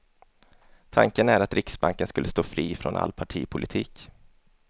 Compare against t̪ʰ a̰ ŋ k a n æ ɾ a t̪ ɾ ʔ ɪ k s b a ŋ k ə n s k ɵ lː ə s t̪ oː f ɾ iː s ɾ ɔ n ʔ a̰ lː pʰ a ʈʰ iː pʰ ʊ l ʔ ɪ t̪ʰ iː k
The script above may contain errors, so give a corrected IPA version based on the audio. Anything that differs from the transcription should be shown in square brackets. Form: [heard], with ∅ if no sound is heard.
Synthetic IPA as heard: t̪ʰ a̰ ŋ k [ə] n æ ɾ a t̪ ɾ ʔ ɪ k s b a ŋ k ə n s k ɵ lː ə s t̪ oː f ɾ iː [f] ɾ ɔ n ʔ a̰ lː pʰ a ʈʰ iː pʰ ʊ l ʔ ɪ t̪ʰ iː k